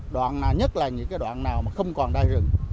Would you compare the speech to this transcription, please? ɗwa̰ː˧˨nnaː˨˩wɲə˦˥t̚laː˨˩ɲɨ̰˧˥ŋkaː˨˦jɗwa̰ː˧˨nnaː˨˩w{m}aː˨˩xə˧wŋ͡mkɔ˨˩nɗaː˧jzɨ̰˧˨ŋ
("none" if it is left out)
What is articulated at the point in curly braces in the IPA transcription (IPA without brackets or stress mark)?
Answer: m